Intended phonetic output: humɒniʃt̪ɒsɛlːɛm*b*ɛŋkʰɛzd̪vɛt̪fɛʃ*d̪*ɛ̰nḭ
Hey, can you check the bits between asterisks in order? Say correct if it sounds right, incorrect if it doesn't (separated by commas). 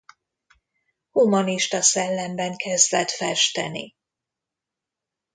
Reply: correct, incorrect